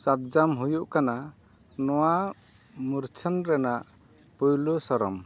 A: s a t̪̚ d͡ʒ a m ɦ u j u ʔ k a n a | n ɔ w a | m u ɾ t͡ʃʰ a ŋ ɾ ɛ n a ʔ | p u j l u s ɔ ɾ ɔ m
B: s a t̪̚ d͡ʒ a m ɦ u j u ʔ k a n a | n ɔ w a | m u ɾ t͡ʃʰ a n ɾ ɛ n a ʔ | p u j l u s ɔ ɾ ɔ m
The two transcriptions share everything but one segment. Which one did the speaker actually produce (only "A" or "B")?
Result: B